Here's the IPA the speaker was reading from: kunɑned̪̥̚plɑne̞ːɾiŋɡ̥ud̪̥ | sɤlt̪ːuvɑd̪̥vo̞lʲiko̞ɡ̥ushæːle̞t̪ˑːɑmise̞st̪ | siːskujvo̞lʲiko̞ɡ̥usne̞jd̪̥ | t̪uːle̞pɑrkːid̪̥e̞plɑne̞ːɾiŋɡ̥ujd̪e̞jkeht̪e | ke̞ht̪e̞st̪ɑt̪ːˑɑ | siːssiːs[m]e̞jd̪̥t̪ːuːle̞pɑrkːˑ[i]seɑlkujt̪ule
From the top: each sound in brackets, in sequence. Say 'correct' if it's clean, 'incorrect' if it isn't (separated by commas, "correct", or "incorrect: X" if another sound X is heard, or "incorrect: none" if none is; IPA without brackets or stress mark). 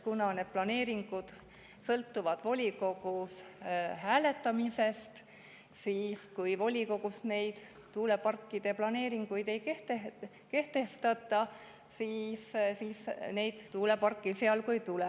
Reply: incorrect: n, correct